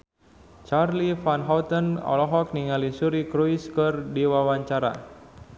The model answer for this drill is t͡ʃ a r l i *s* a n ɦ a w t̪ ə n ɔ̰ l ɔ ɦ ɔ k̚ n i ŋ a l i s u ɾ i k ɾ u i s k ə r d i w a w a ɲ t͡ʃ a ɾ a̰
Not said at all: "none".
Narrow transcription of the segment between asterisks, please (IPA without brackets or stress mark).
f